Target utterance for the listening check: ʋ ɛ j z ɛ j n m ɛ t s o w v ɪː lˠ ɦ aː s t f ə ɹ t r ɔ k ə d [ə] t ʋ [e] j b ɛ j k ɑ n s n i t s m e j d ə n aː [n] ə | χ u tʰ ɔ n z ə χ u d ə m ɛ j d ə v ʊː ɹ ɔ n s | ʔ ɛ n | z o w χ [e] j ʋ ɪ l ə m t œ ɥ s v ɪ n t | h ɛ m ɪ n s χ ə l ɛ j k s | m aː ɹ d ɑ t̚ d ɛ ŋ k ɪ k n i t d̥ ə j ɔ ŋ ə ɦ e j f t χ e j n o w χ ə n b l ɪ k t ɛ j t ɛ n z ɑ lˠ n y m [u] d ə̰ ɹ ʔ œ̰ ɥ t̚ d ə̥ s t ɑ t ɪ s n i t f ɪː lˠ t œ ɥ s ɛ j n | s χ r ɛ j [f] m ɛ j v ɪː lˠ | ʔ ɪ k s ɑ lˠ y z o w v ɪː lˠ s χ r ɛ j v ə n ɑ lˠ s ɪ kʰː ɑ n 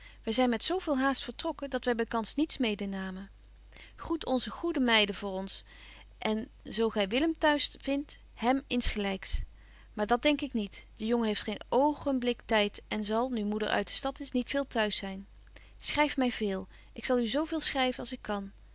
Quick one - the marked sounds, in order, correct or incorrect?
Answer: incorrect: ɑ, incorrect: ɛ, incorrect: m, incorrect: ɛ, correct, correct

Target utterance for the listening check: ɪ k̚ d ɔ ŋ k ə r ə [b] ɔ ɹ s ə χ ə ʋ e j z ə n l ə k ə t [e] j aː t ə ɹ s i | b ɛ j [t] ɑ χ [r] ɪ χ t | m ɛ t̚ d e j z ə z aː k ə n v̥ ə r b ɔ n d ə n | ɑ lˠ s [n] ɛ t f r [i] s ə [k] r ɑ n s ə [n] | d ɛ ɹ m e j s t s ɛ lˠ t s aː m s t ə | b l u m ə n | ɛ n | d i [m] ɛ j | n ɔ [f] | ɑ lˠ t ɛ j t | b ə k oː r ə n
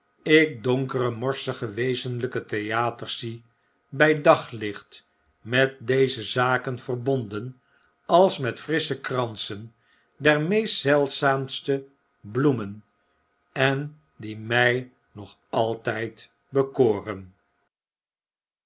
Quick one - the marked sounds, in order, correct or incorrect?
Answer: incorrect: m, correct, incorrect: d, incorrect: l, incorrect: m, incorrect: ɪ, correct, correct, correct, incorrect: χ

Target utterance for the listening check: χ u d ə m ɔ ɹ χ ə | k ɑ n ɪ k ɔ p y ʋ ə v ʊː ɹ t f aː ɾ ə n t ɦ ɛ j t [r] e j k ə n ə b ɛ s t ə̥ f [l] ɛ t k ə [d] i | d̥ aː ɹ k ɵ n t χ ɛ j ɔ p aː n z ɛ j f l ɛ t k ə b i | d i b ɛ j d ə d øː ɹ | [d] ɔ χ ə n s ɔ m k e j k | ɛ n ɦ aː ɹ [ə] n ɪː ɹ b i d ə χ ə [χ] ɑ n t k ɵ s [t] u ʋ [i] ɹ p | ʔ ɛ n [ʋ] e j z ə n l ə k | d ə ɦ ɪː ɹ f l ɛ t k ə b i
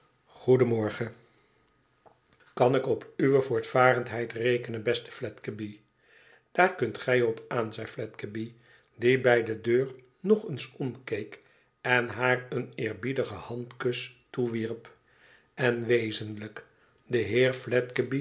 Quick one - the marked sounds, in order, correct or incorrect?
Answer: correct, correct, incorrect: b, incorrect: n, correct, incorrect: h, correct, correct, correct

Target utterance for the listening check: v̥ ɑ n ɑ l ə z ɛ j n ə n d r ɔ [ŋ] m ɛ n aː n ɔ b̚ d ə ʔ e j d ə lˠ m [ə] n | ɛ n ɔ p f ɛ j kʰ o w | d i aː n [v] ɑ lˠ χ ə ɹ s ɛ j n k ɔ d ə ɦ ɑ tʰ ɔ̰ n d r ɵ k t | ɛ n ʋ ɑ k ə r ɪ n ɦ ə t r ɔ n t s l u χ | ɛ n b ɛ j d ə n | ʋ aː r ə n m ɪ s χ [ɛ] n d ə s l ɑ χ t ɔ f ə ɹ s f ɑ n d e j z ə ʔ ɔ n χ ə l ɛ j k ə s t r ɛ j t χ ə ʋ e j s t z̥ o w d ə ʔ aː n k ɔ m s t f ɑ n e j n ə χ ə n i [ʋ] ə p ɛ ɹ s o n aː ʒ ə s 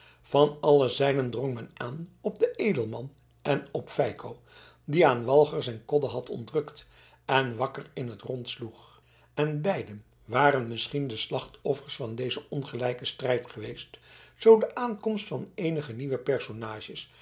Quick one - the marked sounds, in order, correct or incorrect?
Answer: correct, incorrect: ɑ, incorrect: ʋ, incorrect: i, correct

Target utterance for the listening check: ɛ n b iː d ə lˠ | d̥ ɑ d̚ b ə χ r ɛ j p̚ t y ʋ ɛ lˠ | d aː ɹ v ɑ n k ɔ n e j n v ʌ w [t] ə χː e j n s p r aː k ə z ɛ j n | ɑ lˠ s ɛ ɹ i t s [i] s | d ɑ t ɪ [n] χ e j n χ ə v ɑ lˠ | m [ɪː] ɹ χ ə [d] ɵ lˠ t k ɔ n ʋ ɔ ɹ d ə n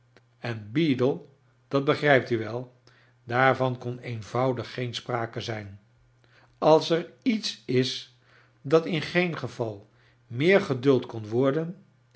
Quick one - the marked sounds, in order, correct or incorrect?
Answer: incorrect: d, incorrect: ɪ, correct, correct, correct

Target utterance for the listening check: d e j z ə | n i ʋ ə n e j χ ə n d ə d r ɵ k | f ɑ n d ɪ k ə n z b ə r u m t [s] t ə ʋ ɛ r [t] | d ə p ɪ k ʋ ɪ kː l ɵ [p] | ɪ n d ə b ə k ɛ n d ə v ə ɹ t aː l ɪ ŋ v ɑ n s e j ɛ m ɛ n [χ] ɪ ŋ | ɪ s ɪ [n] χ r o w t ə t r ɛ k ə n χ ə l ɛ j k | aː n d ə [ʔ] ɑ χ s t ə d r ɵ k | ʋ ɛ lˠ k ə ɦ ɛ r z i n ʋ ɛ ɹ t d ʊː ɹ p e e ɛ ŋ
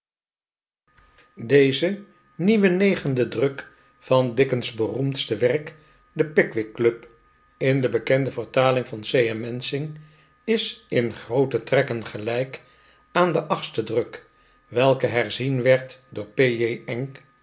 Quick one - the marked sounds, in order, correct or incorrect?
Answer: correct, incorrect: k, correct, incorrect: s, correct, correct

